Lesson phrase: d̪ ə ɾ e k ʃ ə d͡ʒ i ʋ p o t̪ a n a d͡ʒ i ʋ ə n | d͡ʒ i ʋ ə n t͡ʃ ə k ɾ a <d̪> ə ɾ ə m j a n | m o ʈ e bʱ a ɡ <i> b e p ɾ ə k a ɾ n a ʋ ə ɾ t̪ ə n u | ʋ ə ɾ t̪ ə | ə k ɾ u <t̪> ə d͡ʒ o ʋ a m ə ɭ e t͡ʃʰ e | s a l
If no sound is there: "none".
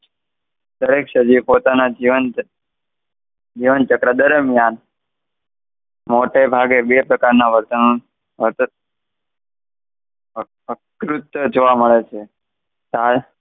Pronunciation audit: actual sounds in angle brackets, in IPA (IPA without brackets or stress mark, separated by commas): d̪, e, t̪